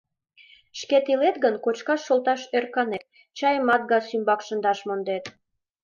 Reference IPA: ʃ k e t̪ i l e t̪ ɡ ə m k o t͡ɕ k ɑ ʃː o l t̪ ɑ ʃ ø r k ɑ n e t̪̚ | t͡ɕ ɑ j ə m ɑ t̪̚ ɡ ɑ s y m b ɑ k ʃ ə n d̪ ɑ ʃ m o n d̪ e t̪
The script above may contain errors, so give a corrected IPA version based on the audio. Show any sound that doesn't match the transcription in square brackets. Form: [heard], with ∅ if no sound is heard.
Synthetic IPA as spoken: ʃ k e t̪ i l e t̪ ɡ ə [n] k o t͡ɕ k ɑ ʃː o l t̪ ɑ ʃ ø r k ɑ n e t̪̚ | t͡ɕ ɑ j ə m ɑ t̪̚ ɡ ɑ s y m b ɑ k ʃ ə n d̪ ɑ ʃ m o n d̪ e t̪